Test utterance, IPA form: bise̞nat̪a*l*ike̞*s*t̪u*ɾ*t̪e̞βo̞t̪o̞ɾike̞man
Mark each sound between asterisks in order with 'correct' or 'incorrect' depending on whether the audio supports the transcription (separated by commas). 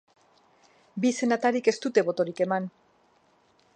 incorrect, correct, incorrect